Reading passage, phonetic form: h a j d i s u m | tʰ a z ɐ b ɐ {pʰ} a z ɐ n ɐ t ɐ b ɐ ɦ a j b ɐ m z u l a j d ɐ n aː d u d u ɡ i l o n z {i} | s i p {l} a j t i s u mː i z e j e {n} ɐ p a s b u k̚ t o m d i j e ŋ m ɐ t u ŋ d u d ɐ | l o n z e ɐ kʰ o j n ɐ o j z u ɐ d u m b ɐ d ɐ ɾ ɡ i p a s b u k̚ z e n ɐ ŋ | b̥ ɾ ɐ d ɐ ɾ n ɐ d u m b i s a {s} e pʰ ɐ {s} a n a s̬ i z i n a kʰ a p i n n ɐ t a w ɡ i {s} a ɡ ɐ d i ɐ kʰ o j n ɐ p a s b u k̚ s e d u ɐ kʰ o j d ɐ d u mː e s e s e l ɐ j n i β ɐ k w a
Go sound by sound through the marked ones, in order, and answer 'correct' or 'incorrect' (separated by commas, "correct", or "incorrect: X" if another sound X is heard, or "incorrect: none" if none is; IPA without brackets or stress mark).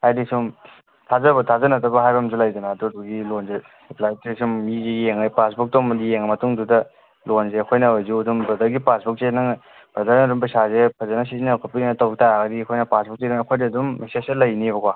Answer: incorrect: tʰ, incorrect: e, correct, incorrect: ŋ, incorrect: z, incorrect: z, incorrect: t